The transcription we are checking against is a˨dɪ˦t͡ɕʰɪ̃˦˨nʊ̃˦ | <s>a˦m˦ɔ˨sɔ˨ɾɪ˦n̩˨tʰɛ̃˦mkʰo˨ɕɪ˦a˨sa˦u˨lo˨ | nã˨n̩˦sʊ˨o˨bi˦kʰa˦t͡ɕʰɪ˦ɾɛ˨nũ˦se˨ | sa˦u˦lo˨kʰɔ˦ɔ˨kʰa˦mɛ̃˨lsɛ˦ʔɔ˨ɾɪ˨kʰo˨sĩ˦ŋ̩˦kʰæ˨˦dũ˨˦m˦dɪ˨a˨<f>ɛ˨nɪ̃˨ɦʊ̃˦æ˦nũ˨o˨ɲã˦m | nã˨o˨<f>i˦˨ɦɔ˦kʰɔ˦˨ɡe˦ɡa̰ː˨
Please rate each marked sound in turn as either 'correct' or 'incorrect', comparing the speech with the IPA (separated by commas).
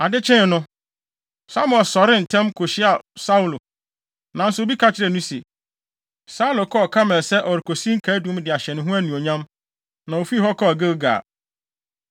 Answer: correct, incorrect, correct